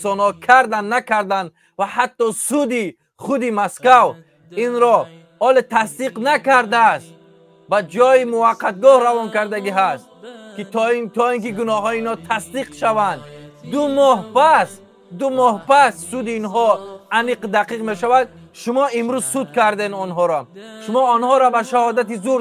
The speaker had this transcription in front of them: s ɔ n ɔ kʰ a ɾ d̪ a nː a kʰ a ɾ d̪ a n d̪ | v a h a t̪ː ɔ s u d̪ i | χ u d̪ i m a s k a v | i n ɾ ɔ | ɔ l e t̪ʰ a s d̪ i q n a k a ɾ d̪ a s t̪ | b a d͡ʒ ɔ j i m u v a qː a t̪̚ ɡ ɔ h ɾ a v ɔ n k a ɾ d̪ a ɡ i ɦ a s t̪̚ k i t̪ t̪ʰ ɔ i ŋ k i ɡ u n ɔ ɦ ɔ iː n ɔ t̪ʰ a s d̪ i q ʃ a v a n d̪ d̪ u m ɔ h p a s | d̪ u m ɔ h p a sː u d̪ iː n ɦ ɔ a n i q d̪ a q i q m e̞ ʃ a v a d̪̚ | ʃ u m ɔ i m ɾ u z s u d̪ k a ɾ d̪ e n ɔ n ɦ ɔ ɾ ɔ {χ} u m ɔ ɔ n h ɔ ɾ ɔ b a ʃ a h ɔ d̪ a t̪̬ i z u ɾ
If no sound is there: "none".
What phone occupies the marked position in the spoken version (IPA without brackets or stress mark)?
ʃ